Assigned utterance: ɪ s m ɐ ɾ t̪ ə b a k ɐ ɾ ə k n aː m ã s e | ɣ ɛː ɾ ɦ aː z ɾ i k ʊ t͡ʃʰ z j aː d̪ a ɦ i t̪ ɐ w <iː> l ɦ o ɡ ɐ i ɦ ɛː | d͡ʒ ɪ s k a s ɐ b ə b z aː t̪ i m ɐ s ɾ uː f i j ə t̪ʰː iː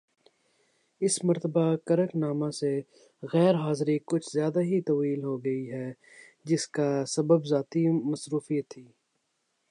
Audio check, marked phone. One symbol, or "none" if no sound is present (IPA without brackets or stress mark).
iː